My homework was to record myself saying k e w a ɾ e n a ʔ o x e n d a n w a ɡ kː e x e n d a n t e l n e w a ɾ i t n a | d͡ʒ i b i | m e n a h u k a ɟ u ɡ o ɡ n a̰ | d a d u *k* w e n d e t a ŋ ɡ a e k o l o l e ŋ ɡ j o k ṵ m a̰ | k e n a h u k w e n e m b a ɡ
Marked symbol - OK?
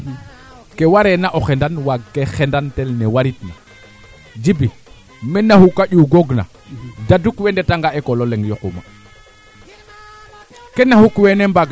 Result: yes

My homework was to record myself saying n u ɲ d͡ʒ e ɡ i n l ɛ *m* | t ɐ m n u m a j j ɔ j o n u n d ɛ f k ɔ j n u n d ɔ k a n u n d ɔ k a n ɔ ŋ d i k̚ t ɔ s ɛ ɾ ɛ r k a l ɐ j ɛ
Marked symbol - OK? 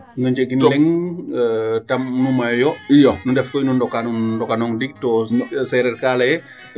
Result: no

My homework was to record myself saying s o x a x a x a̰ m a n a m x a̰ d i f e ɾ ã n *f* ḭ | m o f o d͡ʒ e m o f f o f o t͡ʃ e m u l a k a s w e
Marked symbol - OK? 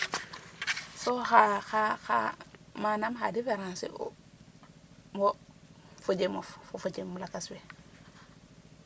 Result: no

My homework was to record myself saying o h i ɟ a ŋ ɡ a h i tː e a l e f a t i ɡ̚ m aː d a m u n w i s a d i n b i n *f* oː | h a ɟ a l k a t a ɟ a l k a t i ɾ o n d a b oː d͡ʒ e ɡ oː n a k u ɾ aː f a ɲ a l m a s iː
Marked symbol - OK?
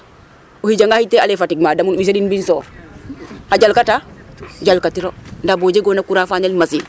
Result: no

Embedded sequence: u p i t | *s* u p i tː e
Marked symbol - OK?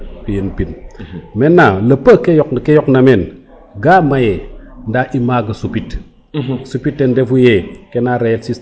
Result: yes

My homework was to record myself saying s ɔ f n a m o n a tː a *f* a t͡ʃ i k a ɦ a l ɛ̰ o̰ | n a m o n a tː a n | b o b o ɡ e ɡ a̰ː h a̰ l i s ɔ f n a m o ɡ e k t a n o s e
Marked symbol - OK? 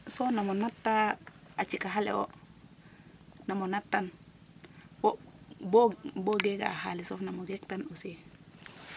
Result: no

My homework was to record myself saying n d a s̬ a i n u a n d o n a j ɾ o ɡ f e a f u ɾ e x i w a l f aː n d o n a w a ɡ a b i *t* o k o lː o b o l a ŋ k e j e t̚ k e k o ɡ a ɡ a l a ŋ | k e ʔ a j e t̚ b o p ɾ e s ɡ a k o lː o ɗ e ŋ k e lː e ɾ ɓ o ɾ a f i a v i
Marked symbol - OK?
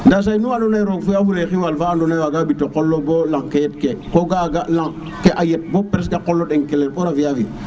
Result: yes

